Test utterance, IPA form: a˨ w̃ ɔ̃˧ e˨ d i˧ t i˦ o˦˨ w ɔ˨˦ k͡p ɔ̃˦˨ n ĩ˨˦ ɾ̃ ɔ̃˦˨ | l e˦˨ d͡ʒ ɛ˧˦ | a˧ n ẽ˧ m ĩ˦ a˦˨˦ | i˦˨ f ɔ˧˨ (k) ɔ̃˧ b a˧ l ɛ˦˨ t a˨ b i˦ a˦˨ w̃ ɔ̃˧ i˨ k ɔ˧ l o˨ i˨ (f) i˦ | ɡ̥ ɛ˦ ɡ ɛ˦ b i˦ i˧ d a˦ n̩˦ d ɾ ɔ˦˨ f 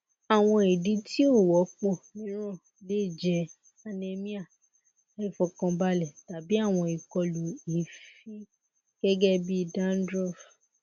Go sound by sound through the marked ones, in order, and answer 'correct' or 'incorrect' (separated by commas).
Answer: correct, correct